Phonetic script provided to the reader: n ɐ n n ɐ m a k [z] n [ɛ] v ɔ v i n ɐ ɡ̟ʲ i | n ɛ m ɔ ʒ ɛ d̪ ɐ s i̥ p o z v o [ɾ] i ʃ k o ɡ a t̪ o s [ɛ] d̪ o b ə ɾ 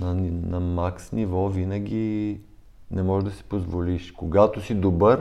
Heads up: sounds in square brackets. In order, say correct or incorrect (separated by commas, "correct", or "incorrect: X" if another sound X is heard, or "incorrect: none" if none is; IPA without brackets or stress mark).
incorrect: s, incorrect: i, incorrect: l, incorrect: i